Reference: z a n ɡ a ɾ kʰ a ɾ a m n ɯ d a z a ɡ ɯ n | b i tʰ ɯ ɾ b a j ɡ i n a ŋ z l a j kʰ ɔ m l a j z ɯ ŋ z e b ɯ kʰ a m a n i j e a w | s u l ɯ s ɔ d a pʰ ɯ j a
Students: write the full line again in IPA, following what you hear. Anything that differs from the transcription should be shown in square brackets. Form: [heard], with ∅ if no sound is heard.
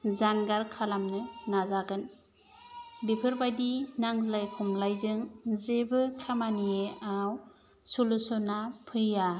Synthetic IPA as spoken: z a n ɡ a ɾ kʰ a [l] a m n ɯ [n] a z a ɡ ɯ n | b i [pʰ] ɯ ɾ b a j [d] i n a ŋ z l a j kʰ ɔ m l a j z ɯ ŋ z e b ɯ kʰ a m a n i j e a w | s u l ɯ s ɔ [n] a pʰ ɯ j a